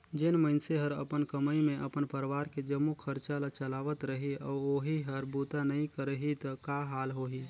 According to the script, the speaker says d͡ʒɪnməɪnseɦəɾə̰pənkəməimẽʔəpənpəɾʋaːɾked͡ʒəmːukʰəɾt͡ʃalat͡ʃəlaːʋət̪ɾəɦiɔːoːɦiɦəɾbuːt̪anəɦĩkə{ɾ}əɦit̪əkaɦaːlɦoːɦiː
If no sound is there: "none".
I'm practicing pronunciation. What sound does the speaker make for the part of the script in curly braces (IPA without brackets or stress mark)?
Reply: ɾ